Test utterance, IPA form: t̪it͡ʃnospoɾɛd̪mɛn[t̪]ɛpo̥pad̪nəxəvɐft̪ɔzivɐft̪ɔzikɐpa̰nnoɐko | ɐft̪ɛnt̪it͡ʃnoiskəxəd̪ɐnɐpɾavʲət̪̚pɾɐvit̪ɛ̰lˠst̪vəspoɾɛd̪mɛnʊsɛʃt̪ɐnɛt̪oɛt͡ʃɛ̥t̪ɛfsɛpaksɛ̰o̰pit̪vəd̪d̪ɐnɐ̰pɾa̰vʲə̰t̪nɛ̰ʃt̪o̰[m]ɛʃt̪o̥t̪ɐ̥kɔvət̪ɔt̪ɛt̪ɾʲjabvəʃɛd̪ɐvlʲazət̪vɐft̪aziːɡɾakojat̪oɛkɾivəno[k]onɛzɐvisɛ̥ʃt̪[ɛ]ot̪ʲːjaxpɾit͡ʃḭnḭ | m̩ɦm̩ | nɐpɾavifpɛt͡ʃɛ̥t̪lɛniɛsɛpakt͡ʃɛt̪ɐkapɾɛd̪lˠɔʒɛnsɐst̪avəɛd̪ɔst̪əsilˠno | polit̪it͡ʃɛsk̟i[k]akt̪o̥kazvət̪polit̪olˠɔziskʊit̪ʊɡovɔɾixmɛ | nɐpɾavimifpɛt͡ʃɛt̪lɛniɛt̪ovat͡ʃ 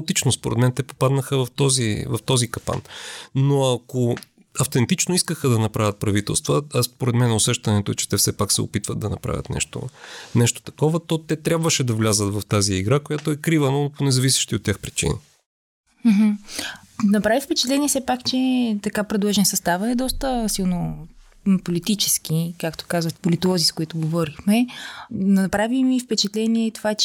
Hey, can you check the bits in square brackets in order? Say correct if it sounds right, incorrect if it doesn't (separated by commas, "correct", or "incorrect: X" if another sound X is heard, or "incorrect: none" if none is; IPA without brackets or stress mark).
correct, incorrect: n, incorrect: p, incorrect: i, correct